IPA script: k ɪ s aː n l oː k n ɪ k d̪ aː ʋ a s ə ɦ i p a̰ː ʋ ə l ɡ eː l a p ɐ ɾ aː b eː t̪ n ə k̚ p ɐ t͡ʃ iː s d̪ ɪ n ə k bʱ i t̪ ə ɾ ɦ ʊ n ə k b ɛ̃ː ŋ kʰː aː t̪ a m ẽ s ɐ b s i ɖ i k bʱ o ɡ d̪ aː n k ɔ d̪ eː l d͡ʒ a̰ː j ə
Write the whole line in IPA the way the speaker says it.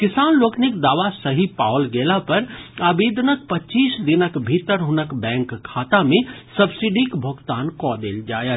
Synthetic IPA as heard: k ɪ s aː n l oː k n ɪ k d̪ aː ʋ a s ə ɦ i p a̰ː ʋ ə l ɡ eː l a p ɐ ɾ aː b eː d̪ n ə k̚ p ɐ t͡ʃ iː s d̪ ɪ n ə k bʱ i t̪ ə ɾ ɦ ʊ n ə k b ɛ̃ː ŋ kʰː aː t̪ a m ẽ s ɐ b s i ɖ i k bʱ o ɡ t̪ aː n k ɔ d̪ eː l d͡ʒ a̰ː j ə